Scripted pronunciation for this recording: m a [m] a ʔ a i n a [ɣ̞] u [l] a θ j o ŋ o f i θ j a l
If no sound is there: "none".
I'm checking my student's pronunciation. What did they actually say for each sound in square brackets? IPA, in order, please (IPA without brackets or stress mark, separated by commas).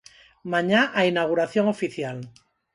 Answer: ɲ, ɣ̞, ɾ